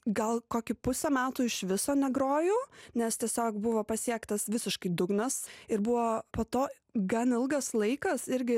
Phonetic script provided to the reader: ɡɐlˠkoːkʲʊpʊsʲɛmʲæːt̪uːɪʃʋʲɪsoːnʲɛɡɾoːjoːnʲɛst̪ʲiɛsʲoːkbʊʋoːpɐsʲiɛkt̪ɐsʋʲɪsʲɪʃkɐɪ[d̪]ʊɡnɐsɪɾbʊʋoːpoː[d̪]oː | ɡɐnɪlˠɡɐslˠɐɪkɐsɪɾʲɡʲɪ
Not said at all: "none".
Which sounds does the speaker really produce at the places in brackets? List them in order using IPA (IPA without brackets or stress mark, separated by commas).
d̪, t̪